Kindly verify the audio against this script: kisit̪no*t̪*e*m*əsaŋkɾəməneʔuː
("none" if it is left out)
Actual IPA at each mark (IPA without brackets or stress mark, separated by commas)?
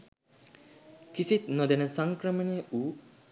d̪, n